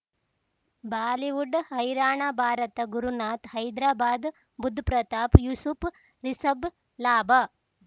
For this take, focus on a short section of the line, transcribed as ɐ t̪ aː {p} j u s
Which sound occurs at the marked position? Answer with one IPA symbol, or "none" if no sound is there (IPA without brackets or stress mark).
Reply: p